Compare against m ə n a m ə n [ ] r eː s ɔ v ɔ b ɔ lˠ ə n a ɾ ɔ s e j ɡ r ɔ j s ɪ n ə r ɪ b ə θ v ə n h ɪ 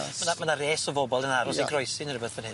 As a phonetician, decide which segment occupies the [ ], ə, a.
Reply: a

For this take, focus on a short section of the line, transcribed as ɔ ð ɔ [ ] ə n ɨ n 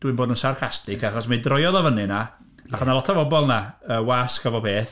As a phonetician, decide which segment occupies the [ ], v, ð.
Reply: v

